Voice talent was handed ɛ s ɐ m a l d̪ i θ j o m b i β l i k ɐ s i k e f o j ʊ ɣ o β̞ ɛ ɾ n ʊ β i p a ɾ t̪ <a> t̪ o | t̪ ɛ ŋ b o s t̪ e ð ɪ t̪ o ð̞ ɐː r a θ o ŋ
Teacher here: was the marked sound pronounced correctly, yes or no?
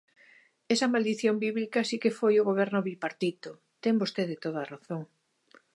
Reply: no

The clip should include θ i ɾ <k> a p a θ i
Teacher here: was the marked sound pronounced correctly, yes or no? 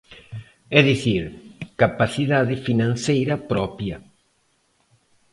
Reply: yes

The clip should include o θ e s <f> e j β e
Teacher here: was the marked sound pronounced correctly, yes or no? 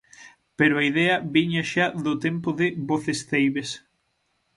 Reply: no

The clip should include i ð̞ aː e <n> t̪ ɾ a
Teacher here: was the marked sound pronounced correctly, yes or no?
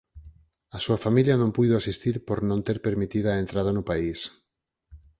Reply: yes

